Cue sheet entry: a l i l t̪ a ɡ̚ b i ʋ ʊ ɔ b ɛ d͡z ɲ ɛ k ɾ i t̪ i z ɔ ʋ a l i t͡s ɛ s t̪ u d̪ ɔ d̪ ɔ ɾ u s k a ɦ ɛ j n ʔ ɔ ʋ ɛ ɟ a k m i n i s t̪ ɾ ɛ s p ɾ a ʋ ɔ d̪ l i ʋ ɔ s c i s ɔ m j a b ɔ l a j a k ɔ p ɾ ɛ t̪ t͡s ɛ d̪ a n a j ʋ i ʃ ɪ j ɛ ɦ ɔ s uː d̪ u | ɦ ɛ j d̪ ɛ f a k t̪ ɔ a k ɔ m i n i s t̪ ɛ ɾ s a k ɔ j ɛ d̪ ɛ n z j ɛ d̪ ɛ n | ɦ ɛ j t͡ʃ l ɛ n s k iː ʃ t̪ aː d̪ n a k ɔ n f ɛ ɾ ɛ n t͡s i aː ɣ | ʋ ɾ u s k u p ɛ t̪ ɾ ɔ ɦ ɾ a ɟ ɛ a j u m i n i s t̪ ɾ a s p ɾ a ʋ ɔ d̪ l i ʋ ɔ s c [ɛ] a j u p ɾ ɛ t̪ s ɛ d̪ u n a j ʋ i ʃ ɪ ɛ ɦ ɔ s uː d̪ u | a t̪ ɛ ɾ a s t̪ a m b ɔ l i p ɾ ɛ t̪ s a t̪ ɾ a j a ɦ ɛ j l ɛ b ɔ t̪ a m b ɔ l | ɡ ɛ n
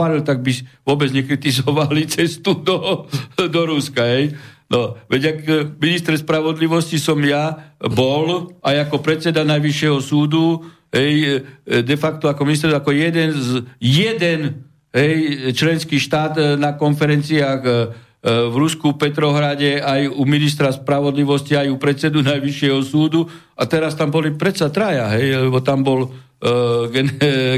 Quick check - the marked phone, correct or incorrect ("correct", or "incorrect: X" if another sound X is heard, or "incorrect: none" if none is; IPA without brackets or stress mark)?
incorrect: i